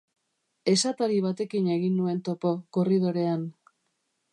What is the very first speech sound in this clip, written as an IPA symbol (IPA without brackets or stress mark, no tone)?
e̞